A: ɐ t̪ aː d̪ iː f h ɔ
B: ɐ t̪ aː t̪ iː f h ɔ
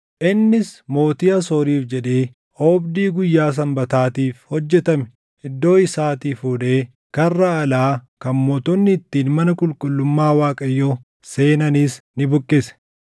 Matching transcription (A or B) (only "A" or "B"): B